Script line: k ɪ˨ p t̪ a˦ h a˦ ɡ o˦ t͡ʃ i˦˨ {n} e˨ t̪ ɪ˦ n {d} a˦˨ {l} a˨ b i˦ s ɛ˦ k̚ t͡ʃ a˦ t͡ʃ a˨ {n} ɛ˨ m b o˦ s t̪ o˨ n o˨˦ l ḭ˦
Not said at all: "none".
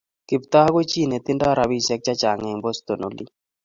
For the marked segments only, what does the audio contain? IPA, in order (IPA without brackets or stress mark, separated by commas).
n, d, ɾ, ŋ